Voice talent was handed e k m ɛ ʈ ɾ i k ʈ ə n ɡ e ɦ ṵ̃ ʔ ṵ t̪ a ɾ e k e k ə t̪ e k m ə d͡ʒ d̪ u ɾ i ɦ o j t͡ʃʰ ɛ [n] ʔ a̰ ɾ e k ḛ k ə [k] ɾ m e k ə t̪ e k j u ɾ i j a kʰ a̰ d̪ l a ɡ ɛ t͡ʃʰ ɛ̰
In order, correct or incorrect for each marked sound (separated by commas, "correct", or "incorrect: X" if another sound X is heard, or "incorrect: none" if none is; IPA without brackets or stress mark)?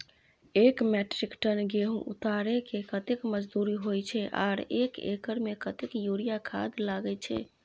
incorrect: none, incorrect: none